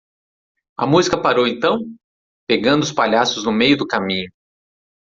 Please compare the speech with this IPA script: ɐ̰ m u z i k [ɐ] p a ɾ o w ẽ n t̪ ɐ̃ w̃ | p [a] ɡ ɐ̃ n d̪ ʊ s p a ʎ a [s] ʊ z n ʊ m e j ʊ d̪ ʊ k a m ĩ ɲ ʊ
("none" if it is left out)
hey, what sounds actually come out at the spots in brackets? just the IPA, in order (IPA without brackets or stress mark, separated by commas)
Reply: ɐ, e, s